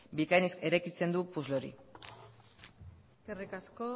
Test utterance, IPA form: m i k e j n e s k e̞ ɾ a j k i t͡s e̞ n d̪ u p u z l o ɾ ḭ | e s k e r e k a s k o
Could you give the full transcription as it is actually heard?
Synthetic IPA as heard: b i k a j n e s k e̞ ɾ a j k i t͡s e̞ n d̪ u p u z l o ɾ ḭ | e s k e r i k a s k o